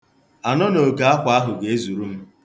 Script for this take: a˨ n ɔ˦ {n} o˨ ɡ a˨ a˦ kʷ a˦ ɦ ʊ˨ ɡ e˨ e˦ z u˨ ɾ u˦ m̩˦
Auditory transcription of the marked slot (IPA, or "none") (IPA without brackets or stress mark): n